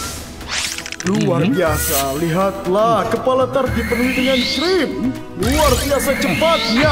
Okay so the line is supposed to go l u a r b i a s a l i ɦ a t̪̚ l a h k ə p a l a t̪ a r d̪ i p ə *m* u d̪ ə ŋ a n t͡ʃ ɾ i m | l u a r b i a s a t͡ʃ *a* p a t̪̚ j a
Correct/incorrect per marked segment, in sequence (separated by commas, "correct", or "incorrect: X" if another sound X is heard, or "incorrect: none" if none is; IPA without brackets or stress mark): incorrect: n, incorrect: ə